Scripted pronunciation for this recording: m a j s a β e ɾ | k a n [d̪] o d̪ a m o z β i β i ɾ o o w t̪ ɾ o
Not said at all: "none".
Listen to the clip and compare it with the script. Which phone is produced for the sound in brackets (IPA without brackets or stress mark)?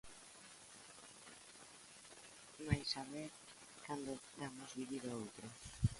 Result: d̪